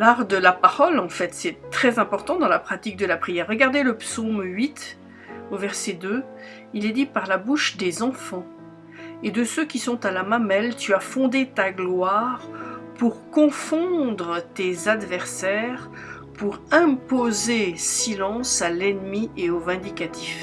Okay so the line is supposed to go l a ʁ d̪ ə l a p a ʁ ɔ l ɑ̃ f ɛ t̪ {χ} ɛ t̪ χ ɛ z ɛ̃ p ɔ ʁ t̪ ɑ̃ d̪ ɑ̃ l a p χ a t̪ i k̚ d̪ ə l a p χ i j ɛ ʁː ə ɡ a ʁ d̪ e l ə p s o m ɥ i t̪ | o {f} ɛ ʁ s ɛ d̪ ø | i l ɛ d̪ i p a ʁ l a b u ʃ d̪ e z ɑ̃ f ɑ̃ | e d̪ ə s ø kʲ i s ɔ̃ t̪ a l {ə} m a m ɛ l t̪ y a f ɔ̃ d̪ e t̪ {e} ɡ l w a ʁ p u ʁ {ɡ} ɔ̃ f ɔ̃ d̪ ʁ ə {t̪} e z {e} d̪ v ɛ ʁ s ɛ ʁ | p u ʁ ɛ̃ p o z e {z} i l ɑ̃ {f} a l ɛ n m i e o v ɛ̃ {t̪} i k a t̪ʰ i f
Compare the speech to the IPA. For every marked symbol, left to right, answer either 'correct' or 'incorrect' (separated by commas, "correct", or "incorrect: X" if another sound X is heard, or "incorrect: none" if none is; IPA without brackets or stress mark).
incorrect: s, incorrect: v, incorrect: a, incorrect: a, incorrect: k, correct, incorrect: a, incorrect: s, incorrect: s, incorrect: d̪